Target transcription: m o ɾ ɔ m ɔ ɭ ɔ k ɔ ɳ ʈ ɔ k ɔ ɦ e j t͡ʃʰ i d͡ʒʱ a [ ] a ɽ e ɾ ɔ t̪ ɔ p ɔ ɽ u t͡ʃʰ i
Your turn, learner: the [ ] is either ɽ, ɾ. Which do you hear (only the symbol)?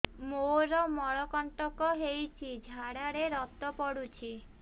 ɽ